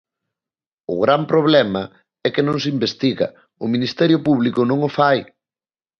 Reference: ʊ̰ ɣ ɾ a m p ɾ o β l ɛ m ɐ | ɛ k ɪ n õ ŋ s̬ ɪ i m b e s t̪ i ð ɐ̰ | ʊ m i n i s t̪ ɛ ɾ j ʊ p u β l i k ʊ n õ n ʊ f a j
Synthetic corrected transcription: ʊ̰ ɣ ɾ a m p ɾ o β l ɛ m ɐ | ɛ k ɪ n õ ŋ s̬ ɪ i m b e s t̪ i ɣ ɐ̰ | ʊ m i n i s t̪ ɛ ɾ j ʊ p u β l i k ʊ n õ ŋ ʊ f a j